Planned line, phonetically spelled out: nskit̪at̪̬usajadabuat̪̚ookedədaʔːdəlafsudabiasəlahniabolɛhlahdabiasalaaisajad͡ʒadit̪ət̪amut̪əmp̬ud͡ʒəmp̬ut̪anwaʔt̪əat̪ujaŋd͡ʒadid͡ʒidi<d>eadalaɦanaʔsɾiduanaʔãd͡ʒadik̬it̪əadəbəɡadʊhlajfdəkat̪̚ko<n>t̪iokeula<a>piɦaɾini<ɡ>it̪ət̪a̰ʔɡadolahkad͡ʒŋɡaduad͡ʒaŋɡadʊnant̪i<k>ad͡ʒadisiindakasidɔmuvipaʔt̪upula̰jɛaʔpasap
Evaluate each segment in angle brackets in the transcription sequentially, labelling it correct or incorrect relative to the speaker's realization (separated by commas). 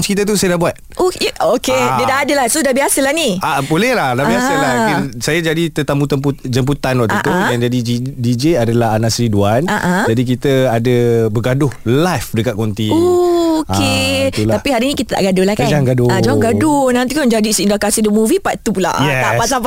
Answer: incorrect, correct, correct, incorrect, correct